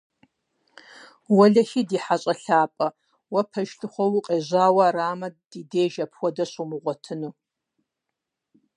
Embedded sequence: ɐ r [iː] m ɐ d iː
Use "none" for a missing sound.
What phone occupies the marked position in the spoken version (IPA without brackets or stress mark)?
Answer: aː